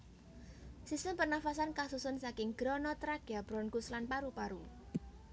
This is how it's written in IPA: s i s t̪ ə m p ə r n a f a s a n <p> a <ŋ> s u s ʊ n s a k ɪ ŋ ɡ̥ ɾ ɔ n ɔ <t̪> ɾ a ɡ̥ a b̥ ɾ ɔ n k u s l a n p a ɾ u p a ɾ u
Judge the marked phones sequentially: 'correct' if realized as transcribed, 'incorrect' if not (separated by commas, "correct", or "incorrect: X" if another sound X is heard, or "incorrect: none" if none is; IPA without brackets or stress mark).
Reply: incorrect: k, incorrect: none, correct